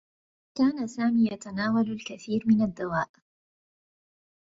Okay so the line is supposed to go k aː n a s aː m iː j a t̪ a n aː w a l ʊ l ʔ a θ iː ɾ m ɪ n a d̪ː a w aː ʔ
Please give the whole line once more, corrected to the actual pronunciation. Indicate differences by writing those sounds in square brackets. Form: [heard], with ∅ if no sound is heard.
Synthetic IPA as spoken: k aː n a s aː m iː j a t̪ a n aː w a l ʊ l [k] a θ iː ɾ m ɪ n a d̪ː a w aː ʔ